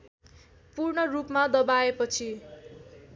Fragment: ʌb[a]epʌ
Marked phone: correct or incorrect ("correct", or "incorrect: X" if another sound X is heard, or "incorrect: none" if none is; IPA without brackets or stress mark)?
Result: correct